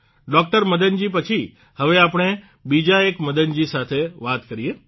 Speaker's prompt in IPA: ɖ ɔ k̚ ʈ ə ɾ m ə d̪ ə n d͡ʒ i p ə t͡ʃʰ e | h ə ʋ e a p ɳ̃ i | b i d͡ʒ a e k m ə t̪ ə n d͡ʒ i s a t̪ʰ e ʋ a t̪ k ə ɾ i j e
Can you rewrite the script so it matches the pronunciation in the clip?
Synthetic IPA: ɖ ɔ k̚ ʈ ə ɾ m ə d̪ ə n d͡ʒ i p ə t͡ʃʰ i | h ə ʋ e a p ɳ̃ e | b i d͡ʒ a e k m ə d̪ ə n d͡ʒ i s a t̪ʰ e ʋ a t̪ k ə ɾ i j e